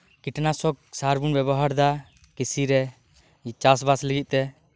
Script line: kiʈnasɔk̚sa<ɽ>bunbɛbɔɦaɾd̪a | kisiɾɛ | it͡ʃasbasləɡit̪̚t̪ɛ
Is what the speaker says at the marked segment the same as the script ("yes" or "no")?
no